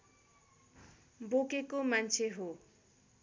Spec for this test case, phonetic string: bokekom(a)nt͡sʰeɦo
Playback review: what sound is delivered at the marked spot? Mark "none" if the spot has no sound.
a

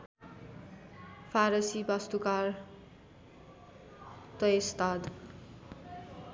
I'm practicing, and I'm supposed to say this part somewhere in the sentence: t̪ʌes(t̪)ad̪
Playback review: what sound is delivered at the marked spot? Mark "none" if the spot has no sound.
t̪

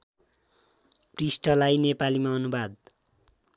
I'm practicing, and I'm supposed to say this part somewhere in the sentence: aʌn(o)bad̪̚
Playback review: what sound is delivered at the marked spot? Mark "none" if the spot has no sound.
u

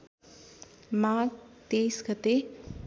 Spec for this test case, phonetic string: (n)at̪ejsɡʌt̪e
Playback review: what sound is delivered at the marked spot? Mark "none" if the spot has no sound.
m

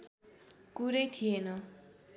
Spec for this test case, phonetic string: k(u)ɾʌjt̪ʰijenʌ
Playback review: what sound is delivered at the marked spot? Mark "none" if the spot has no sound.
u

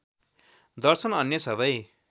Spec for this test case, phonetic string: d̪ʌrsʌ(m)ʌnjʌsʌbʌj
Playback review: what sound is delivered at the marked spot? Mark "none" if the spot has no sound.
n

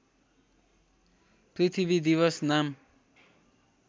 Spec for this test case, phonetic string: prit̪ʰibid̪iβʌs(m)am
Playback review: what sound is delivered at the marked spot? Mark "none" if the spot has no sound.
n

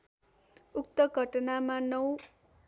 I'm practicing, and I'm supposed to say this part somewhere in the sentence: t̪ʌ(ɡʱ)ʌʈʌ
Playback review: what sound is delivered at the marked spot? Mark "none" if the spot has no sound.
ɡʱ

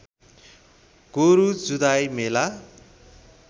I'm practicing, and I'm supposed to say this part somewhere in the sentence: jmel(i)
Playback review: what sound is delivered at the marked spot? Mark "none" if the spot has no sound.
a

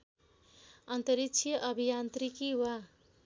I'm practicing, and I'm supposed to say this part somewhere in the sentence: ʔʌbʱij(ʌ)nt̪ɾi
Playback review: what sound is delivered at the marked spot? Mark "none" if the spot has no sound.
a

